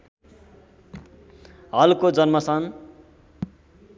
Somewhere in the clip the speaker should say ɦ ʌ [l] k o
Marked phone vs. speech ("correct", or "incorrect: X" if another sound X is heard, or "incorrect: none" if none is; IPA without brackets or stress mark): correct